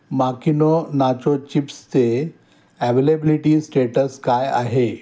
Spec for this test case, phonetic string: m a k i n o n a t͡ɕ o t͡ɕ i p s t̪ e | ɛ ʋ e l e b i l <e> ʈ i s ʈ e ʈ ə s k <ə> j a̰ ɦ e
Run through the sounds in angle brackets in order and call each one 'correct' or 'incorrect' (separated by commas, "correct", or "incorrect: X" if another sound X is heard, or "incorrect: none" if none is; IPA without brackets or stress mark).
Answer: incorrect: i, incorrect: a